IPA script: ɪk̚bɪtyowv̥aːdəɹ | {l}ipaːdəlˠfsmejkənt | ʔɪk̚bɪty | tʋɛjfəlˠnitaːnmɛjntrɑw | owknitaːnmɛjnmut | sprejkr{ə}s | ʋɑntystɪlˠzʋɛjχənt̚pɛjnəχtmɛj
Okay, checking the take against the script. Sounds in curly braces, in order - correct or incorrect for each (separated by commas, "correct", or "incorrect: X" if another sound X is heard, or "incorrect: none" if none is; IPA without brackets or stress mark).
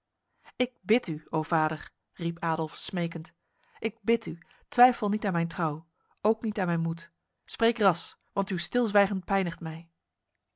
incorrect: r, incorrect: ɑ